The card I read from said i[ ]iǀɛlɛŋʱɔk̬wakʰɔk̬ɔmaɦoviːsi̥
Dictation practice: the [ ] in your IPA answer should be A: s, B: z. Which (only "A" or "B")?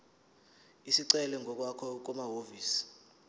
A